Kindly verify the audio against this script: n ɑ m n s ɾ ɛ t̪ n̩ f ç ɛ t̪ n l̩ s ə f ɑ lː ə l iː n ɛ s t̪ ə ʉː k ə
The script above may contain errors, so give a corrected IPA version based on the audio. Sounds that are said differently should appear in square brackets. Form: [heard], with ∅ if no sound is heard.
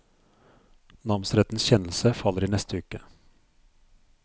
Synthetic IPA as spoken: n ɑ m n s ɾ ɛ t̪ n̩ [s] ç ɛ [∅] n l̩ s ə f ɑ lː ə [ɾ] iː n ɛ s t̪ ə ʉː k ə